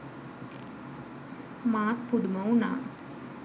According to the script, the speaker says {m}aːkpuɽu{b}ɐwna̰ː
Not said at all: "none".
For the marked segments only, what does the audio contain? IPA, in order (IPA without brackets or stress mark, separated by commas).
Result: m, m